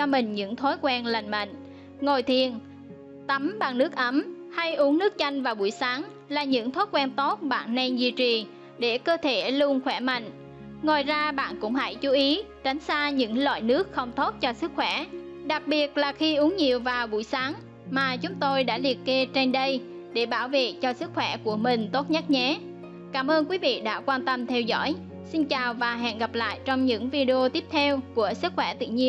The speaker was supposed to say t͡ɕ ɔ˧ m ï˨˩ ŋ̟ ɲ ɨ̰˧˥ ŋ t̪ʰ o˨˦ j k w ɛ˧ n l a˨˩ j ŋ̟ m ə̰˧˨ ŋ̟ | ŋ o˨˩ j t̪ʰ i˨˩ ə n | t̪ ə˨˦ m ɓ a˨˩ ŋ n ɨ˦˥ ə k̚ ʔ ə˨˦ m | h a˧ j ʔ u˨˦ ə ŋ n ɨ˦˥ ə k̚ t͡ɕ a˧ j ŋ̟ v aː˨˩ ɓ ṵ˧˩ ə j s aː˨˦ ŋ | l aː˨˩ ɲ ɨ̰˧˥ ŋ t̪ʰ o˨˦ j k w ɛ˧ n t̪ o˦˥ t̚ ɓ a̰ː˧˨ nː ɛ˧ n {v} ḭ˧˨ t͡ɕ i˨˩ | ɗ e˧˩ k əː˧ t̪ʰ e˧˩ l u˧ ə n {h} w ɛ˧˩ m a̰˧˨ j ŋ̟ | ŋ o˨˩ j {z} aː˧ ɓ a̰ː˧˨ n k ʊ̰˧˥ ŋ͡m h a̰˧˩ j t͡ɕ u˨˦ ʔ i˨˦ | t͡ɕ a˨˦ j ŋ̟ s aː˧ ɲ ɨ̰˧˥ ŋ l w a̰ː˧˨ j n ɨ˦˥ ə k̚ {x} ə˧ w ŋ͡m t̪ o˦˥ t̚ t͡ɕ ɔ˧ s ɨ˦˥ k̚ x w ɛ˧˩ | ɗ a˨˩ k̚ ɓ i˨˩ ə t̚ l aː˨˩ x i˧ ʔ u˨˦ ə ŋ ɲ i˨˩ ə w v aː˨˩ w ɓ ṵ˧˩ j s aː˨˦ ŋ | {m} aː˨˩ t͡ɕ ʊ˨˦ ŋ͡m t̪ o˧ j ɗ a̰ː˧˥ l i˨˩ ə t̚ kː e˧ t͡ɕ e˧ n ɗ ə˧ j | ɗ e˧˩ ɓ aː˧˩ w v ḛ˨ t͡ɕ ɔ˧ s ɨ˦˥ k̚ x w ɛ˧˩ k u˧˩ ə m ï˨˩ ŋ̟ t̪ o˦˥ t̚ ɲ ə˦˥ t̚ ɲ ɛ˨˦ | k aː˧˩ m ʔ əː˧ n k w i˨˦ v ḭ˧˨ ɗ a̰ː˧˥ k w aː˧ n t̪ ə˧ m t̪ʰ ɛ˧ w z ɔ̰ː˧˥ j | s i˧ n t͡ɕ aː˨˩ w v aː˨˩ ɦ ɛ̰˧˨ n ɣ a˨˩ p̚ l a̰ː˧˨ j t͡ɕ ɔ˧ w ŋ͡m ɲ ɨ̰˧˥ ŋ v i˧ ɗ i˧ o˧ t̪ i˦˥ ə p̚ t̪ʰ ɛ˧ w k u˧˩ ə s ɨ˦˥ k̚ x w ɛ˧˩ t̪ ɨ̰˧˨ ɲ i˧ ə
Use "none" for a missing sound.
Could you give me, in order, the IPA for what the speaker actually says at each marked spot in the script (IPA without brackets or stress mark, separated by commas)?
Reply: z, x, z, x, m